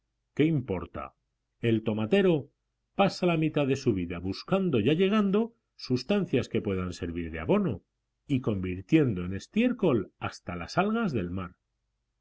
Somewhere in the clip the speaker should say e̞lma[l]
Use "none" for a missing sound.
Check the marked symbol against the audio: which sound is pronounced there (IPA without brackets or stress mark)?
ɾ